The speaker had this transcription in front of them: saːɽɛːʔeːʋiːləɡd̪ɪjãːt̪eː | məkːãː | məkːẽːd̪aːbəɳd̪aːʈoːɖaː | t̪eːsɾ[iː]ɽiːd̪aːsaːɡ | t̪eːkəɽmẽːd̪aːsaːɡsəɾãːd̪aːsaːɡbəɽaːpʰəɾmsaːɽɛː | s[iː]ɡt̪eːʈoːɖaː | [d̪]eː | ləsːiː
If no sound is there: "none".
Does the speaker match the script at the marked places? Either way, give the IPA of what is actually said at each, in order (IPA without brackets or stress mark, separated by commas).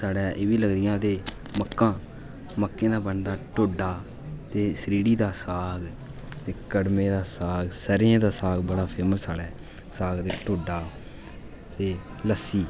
iː, aː, t̪